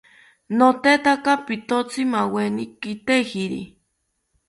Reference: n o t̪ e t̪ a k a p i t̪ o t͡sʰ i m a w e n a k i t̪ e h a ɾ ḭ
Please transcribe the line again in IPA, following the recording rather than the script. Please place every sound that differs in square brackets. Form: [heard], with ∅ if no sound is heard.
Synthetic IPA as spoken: n o t̪ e t̪ a k a p i t̪ o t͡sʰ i m a w e n [i] k i t̪ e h [i] ɾ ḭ